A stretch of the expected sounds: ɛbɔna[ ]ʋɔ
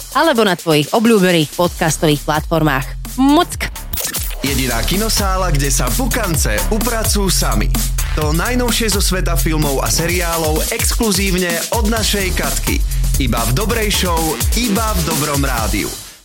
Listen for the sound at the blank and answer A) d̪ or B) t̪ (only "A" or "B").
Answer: B